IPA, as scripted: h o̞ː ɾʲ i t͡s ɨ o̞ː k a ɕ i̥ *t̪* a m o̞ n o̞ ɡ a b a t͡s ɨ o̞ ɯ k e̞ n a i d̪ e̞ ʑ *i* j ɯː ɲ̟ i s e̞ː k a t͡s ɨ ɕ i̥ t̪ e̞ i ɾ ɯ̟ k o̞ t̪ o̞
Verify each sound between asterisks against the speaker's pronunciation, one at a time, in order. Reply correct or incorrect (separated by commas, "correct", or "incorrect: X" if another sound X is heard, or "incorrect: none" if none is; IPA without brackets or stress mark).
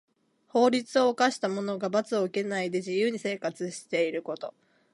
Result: correct, correct